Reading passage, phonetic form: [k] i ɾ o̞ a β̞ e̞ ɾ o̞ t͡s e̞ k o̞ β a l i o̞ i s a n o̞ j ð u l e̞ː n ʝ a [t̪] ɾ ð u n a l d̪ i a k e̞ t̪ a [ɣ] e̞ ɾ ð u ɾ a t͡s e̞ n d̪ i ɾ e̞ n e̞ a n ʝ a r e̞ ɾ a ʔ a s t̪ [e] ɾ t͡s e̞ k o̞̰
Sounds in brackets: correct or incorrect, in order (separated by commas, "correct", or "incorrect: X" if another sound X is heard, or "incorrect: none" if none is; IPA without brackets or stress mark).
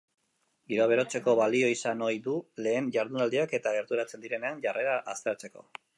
incorrect: ɡ, incorrect: none, correct, correct